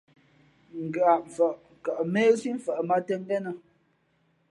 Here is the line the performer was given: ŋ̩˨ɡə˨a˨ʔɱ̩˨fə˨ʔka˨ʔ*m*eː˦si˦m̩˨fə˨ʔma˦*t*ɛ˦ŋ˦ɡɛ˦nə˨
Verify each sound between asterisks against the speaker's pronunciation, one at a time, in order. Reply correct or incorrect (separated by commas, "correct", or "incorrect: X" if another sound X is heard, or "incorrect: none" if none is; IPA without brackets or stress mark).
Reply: correct, correct